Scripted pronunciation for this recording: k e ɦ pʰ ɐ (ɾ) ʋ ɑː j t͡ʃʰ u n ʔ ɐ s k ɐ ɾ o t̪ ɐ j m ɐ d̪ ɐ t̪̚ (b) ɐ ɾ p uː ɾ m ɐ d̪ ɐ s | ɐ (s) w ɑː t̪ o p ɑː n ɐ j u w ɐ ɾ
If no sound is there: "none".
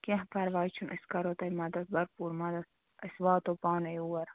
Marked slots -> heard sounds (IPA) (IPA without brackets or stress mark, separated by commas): ɾ, b, s